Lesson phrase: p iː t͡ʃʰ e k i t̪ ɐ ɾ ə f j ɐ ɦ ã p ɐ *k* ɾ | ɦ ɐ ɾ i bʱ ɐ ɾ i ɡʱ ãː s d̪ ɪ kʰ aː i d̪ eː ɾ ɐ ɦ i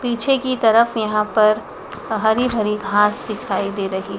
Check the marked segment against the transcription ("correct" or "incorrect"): incorrect